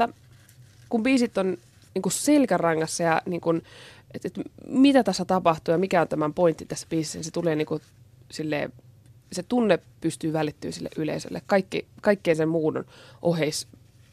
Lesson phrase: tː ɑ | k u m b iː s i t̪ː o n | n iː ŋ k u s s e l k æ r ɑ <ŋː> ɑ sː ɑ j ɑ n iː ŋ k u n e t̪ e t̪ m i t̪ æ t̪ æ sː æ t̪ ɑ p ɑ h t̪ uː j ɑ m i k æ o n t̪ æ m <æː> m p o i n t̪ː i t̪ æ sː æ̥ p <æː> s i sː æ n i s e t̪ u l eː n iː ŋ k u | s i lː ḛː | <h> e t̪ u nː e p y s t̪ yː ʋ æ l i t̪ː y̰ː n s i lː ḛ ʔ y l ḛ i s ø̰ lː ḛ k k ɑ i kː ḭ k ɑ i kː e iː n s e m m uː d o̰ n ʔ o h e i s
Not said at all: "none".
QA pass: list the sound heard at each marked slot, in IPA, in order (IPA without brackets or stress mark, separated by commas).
ŋː, æ, iː, s